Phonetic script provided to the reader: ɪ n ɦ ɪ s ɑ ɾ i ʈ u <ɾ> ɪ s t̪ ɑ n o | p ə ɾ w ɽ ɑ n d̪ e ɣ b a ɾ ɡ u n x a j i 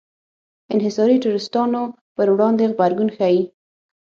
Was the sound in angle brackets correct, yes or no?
yes